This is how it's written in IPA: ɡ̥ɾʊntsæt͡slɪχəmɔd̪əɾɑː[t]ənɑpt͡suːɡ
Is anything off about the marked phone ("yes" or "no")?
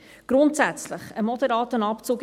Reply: no